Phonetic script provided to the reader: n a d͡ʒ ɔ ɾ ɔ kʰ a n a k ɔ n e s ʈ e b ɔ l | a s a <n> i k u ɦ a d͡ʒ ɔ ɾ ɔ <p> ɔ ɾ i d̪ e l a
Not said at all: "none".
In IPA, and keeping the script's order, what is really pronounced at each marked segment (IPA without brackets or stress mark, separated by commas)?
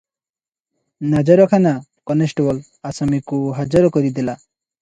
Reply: m, k